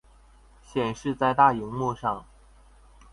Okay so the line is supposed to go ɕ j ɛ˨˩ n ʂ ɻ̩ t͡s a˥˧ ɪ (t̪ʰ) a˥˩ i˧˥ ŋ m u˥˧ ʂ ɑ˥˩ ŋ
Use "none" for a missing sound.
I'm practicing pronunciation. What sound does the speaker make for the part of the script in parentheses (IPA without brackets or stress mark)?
t̪